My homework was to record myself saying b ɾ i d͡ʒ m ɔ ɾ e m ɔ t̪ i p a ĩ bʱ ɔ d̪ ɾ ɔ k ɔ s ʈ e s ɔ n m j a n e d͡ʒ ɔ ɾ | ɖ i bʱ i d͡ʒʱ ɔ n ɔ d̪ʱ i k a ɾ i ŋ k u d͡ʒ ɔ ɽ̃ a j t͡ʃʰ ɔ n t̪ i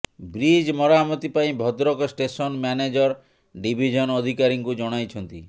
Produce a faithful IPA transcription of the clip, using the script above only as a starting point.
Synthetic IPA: b ɾ i d͡ʒ m ɔ ɾ a m ɔ t̪ i p a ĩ bʱ ɔ d̪ ɾ ɔ k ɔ s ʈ e s ɔ n m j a n e d͡ʒ ɔ ɾ | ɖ i bʱ i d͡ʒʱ ɔ n ɔ d̪ʱ i k a ɾ i ŋ k u d͡ʒ ɔ ɽ̃ a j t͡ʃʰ ɔ n t̪ i